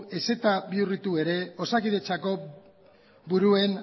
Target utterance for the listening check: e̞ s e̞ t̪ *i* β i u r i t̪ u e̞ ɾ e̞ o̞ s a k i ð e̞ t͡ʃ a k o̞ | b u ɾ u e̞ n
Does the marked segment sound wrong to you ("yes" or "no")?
yes